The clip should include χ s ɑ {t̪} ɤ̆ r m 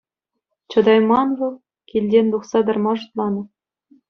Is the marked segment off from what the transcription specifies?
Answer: yes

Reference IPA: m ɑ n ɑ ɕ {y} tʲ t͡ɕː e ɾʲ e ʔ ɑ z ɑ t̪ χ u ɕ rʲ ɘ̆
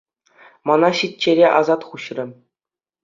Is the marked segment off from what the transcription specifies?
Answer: yes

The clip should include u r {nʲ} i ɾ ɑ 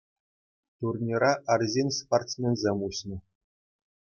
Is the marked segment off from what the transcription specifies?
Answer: no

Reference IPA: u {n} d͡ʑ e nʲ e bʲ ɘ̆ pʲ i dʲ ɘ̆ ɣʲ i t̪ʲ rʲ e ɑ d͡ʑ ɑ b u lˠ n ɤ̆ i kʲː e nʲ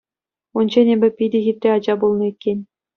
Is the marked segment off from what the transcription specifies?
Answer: no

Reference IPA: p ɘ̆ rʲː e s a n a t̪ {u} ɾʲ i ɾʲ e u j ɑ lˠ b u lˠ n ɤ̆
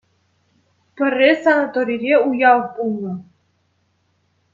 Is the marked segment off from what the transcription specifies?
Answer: yes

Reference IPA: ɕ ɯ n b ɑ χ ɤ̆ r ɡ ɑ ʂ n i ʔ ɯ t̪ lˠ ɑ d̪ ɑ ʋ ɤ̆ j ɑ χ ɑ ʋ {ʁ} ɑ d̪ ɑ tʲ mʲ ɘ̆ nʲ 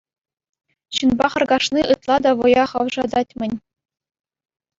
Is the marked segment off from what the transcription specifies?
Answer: yes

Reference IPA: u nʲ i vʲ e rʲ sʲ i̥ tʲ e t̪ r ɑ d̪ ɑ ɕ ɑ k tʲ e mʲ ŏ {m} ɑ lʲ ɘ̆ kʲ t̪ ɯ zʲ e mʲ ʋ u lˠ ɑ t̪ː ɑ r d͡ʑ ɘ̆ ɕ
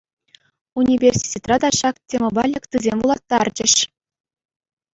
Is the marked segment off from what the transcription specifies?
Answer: yes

